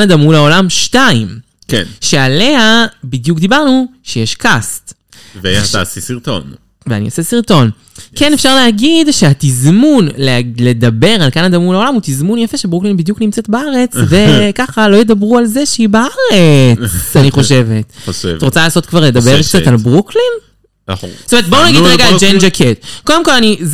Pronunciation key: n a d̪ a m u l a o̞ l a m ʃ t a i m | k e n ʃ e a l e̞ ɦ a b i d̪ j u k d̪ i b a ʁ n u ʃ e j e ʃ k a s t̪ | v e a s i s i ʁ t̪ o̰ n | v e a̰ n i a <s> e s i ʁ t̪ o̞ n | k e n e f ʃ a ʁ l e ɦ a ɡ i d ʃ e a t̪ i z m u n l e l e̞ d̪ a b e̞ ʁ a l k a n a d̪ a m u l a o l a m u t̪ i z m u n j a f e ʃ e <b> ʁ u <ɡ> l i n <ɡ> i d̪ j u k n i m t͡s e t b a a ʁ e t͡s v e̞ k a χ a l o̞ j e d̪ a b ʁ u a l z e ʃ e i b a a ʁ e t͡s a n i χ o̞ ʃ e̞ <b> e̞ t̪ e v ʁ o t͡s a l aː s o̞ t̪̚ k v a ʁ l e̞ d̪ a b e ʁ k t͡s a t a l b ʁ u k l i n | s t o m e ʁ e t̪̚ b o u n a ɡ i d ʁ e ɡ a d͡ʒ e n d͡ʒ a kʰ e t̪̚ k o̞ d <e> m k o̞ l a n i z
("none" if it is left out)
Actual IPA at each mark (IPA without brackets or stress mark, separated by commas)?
s, b, k, b, v, e